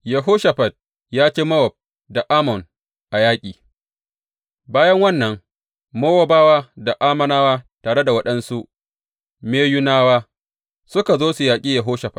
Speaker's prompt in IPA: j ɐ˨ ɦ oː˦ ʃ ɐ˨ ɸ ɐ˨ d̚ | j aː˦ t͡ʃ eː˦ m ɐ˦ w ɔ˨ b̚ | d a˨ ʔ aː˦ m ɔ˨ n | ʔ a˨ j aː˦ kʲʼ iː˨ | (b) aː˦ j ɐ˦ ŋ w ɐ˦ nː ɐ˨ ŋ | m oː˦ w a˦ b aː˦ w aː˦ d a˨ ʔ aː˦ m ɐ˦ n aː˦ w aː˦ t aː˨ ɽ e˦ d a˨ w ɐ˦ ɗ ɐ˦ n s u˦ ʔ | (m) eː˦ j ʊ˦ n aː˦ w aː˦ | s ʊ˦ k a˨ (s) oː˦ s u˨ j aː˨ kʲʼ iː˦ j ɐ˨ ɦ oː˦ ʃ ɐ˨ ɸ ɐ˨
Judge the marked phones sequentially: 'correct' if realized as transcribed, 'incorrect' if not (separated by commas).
correct, correct, incorrect